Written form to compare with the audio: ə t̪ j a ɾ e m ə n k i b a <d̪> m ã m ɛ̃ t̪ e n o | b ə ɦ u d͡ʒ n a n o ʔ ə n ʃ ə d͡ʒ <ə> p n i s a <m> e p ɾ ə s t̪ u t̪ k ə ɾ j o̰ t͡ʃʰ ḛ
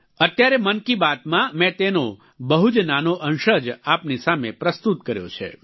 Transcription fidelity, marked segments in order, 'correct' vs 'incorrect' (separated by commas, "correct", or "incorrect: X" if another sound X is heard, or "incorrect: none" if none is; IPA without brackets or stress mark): incorrect: t̪, incorrect: a, correct